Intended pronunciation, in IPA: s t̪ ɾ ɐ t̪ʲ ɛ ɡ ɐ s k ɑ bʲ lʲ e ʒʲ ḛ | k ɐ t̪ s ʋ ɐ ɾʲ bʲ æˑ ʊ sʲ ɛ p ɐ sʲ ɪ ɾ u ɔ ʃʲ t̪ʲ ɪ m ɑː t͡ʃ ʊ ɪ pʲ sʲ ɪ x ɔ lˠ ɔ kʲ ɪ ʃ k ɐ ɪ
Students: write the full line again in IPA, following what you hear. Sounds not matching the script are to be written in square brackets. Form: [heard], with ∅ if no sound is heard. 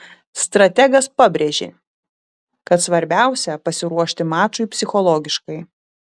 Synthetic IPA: s t̪ ɾ ɐ t̪ʲ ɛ ɡ ɐ s [p] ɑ bʲ [ɾʲ] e ʒʲ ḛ | k ɐ t̪ s ʋ ɐ ɾʲ bʲ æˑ ʊ sʲ ɛ p ɐ sʲ ɪ ɾ u ɔ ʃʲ t̪ʲ ɪ m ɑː t͡ʃ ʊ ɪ pʲ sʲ ɪ x ɔ lˠ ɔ [ɡʲ] ɪ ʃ k ɐ ɪ